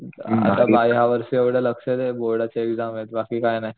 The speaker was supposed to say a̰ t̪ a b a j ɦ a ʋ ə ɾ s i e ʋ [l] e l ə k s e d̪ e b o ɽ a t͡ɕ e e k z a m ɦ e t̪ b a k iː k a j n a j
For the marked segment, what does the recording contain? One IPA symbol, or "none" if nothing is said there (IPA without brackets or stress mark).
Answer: ɽ